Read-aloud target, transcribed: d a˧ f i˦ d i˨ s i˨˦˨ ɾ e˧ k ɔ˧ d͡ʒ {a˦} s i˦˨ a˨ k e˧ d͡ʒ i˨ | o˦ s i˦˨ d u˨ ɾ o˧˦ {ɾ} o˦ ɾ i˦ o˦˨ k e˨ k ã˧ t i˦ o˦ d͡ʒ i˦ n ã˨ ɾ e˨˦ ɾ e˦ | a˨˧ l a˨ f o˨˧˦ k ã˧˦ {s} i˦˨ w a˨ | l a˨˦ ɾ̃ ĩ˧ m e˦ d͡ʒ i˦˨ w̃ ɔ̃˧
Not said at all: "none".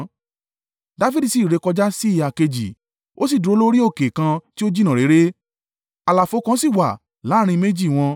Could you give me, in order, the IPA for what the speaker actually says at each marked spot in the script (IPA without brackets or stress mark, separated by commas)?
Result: a˦, l, s